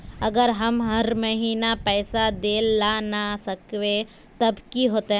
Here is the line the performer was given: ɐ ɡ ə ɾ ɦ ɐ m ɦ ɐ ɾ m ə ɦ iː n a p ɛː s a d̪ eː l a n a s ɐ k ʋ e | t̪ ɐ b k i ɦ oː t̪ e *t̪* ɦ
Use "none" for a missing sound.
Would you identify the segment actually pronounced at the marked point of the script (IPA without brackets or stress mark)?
none